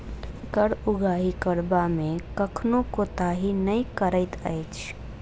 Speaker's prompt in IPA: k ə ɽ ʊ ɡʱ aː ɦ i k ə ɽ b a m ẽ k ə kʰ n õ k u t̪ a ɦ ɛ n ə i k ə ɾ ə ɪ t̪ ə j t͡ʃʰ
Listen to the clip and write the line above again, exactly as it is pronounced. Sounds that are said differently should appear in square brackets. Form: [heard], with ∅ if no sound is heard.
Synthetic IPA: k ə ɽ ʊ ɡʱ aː ɦ i k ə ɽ b a m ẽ k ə kʰ n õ k [o] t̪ a ɦ [i] n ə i k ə ɾ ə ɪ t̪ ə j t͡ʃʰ